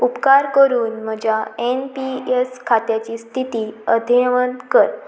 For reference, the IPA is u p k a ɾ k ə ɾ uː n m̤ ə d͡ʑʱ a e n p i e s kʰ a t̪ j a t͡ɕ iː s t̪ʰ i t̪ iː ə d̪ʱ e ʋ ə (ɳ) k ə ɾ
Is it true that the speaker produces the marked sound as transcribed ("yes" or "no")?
no